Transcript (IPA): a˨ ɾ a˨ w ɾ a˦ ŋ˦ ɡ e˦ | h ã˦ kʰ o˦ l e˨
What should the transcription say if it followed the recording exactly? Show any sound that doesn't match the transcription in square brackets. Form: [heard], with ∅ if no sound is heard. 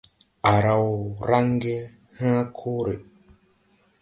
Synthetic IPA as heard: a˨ ɾ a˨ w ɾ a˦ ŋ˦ ɡ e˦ | h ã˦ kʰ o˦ [ɾ] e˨